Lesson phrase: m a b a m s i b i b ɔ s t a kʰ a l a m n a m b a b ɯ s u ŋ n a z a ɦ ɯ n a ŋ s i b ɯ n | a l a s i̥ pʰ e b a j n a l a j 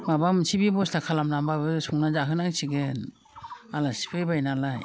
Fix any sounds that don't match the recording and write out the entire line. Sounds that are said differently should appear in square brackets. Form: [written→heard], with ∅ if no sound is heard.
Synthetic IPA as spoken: m a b a m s i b i b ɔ s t a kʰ a l a m n a m b a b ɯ s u ŋ n a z a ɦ ɯ n a ŋ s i [b→ɡ] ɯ n | a l a s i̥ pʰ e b a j n a l a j